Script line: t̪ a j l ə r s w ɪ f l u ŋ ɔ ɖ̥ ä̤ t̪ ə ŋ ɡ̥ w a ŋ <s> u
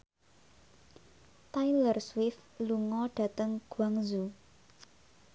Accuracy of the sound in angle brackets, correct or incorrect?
incorrect: z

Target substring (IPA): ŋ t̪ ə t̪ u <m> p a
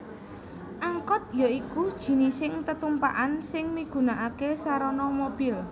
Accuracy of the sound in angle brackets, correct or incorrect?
correct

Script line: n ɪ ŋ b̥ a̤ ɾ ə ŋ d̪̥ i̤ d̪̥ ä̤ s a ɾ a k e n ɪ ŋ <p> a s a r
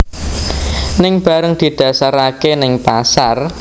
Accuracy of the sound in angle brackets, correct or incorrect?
correct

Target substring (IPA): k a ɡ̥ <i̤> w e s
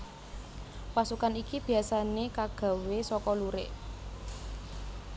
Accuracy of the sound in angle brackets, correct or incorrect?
incorrect: a̤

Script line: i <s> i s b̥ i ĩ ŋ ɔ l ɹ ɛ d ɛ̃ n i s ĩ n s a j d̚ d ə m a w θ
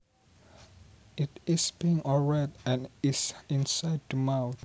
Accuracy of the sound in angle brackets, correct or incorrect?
incorrect: t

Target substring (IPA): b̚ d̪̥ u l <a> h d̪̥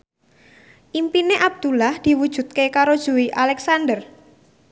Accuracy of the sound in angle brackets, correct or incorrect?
correct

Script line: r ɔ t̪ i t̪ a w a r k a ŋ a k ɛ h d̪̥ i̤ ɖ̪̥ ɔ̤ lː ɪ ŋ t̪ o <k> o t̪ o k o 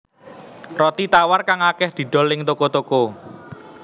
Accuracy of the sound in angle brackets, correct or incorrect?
correct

